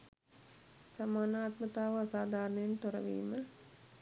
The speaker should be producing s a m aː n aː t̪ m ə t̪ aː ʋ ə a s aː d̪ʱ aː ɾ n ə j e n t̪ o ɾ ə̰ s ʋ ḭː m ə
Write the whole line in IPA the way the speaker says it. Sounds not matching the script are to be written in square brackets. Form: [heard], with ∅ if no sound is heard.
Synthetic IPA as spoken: s a m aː n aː t̪ m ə t̪ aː ʋ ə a s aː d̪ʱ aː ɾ n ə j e n t̪ o ɾ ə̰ [∅] ʋ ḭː m ə